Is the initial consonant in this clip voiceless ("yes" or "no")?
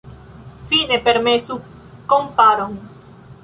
yes